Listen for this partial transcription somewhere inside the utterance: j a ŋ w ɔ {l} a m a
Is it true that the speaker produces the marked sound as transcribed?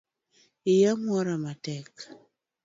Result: no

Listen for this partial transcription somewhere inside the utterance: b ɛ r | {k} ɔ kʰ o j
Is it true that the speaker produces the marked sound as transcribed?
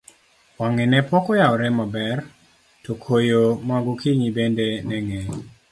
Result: no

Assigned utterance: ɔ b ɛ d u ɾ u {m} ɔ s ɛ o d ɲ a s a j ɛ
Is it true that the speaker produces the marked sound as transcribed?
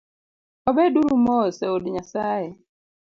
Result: yes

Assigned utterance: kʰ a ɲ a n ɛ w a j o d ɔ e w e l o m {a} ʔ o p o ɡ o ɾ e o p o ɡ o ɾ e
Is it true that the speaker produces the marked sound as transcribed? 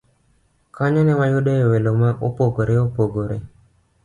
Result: yes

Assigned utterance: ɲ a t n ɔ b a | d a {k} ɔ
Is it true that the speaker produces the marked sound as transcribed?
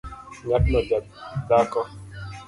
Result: yes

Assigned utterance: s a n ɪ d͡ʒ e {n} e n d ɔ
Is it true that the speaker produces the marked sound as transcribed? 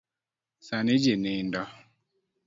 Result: yes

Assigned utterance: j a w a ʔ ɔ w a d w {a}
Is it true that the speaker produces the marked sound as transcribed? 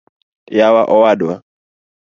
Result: yes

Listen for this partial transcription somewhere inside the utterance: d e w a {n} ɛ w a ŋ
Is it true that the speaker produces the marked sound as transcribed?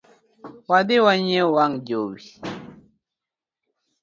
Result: no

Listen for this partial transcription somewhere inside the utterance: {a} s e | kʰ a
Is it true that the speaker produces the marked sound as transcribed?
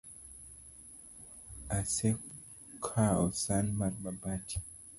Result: yes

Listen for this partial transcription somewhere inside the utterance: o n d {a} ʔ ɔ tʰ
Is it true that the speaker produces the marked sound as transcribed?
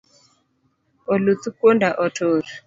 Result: yes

